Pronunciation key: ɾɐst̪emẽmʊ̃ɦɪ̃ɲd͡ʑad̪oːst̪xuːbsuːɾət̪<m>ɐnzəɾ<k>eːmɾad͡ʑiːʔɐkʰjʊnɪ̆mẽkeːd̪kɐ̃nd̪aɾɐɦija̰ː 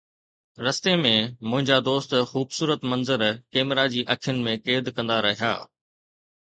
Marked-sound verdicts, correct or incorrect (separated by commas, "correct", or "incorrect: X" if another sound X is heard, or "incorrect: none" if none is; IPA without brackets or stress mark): correct, correct